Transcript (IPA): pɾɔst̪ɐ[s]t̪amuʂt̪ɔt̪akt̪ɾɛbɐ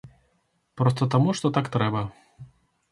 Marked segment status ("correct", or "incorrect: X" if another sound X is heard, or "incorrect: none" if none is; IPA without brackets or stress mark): incorrect: none